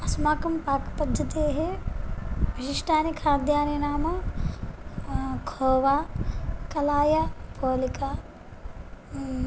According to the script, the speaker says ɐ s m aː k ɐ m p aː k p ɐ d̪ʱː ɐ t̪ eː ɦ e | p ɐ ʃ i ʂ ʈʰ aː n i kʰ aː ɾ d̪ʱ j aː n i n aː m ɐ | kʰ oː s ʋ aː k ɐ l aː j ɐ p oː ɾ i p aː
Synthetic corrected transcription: ɐ s m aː k ɐ m p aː k p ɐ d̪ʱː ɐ t̪ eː ɦ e | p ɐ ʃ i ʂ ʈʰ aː n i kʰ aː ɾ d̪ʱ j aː n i n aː m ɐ | kʰ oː ʋ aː k ɐ l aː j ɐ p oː l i k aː